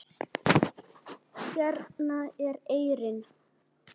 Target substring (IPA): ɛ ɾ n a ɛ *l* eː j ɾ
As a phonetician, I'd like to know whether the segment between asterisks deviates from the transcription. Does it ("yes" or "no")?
yes